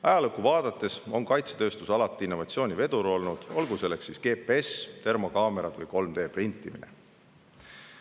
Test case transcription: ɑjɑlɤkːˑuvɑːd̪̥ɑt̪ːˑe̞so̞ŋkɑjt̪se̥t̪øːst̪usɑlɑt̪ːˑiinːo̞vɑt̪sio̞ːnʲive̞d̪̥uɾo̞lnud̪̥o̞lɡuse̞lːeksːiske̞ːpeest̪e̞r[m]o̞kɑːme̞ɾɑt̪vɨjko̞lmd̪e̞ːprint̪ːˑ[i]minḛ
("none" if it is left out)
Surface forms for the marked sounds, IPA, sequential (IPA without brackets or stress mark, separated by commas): m, i